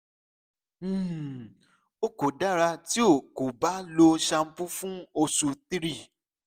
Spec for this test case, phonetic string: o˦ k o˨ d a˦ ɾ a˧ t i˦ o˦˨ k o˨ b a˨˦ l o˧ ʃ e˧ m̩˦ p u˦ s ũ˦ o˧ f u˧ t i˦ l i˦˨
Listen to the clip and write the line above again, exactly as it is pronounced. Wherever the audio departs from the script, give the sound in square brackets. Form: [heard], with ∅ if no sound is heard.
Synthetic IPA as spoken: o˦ k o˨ d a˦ ɾ a˧ t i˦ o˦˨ k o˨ b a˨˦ l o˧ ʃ [a˧] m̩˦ p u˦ [f] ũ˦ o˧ [s] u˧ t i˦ [ɾ] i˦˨